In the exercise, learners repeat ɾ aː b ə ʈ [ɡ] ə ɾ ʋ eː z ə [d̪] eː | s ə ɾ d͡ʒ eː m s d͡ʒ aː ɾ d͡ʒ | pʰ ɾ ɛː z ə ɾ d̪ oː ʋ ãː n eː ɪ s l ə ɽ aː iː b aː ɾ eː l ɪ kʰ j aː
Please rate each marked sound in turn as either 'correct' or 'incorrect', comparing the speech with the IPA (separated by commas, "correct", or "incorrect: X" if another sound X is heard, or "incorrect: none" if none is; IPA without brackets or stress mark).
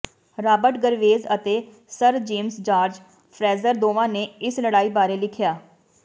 correct, incorrect: t̪